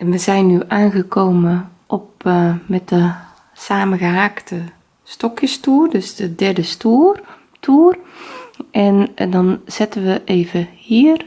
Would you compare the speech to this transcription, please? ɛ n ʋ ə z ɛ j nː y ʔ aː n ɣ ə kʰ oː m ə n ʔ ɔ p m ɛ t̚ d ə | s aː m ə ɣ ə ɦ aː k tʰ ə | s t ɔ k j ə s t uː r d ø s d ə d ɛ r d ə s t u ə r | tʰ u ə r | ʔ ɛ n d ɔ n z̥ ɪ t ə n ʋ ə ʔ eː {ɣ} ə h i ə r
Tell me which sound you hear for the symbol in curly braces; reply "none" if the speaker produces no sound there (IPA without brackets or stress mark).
v